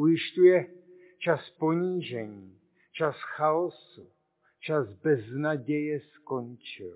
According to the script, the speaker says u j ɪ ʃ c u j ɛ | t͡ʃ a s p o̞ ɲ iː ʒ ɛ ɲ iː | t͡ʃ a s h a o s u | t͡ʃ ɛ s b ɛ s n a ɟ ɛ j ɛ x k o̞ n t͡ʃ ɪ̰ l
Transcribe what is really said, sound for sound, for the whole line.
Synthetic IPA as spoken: u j ɪ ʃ c u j ɛ | t͡ʃ a s p o̞ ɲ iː ʒ ɛ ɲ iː | t͡ʃ a s x a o s u | t͡ʃ a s b ɛ z n a ɟ ɛ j ɛ s k o̞ n t͡ʃ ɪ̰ l